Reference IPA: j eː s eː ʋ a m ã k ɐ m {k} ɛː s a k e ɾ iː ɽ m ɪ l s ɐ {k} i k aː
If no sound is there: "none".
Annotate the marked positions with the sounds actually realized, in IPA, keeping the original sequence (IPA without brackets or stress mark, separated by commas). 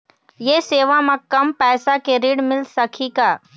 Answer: p, kʰ